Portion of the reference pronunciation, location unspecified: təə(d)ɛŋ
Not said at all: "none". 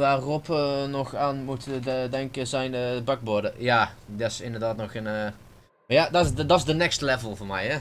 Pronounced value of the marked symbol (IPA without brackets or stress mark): d